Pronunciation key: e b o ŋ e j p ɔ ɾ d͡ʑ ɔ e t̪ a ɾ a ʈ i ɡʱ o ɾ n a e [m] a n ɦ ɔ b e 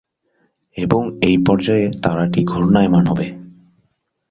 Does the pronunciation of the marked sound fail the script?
no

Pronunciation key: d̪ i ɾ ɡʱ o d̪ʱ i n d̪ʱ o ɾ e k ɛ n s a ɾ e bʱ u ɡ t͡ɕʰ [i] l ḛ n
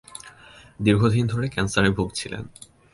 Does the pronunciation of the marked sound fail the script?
no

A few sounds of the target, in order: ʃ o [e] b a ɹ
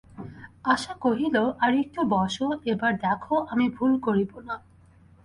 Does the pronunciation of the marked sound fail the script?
no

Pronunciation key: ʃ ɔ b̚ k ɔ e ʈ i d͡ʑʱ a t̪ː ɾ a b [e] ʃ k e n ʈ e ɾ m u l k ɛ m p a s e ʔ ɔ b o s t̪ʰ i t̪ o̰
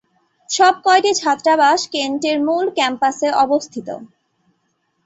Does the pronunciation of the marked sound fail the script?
yes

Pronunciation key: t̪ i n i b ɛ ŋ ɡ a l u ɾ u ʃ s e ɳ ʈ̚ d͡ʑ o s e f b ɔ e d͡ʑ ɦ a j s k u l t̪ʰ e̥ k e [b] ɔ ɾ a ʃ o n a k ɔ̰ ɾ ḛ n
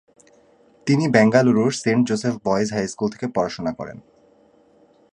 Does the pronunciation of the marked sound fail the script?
yes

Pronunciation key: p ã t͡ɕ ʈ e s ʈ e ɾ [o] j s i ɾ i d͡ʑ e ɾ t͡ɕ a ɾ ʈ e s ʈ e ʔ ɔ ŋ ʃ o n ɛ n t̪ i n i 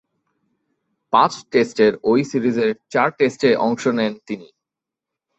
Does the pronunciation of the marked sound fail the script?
no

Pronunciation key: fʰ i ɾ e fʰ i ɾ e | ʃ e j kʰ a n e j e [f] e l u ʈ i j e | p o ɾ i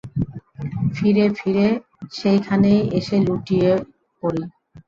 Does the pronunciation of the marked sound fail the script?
yes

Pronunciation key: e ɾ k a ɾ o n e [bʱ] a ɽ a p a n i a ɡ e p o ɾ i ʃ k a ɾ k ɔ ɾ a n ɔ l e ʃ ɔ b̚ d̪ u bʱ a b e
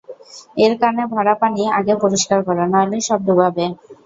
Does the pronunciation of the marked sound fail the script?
no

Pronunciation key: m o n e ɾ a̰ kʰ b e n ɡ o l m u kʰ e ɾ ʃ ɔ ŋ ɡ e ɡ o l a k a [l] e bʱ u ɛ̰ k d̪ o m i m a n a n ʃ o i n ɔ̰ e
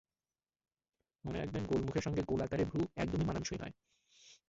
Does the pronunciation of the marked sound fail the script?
yes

